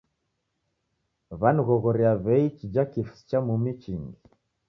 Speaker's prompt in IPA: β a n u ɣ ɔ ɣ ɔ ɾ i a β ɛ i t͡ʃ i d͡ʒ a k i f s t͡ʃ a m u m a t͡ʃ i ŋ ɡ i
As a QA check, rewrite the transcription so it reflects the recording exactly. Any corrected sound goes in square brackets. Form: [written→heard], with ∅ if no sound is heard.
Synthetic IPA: β a n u ɣ ɔ ɣ ɔ ɾ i a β ɛ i t͡ʃ i d͡ʒ a k i f s t͡ʃ a m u m [a→i] t͡ʃ i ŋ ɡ i

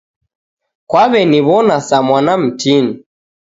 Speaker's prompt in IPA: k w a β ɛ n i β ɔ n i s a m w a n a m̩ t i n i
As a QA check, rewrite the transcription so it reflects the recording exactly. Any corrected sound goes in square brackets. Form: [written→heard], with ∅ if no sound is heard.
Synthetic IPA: k w a β ɛ n i β ɔ n [i→a] s a m w a n a m̩ t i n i

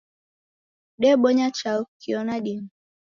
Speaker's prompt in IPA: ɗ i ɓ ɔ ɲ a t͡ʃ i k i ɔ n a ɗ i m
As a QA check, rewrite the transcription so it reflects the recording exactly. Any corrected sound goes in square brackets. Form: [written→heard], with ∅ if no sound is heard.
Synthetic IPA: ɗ [i→ɛ] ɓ ɔ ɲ a t͡ʃ [i→a] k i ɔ n a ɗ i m

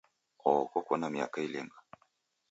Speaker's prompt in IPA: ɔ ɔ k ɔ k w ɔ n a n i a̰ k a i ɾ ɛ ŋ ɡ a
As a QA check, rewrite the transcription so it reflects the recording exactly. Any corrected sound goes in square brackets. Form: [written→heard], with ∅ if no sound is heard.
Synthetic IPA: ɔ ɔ k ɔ k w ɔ n a [n→m] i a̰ k a i [ɾ→l] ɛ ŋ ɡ a

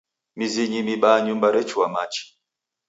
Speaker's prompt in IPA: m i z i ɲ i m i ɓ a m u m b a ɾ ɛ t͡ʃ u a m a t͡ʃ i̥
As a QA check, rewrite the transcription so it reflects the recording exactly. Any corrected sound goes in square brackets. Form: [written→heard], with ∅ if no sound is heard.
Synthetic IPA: m i z i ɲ i m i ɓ a [m→ɲ] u m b a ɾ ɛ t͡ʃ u a m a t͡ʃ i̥

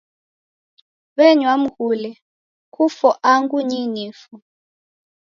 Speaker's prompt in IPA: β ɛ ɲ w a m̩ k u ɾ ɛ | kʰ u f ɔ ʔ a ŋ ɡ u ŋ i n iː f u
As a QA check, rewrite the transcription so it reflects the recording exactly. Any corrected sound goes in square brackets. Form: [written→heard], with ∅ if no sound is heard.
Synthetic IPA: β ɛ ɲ w a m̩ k u [ɾ→l] ɛ | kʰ u f ɔ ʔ a ŋ ɡ u [ŋ→ɲ] i n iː f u

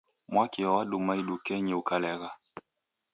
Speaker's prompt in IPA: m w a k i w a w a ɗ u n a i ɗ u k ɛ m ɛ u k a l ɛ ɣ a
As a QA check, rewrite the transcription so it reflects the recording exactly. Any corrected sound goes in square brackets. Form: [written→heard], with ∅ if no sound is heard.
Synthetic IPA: m w a k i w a w a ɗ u [n→m] a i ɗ u k ɛ [m→ɲ] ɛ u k a l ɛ ɣ a

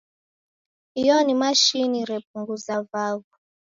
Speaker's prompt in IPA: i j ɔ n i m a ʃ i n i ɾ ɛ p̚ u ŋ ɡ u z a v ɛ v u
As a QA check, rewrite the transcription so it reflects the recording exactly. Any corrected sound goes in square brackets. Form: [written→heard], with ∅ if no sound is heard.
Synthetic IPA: i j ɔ n i m a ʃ i n i ɾ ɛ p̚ u ŋ ɡ u z a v [ɛ→a] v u

